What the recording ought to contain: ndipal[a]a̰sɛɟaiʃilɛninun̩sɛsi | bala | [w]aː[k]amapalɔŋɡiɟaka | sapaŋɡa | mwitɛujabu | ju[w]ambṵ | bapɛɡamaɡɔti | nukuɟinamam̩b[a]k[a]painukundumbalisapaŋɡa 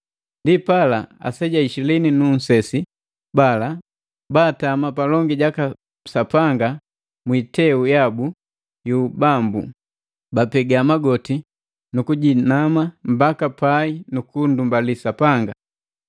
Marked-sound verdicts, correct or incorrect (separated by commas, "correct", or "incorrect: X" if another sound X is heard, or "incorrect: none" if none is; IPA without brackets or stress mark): correct, incorrect: b, incorrect: t, incorrect: b, correct, correct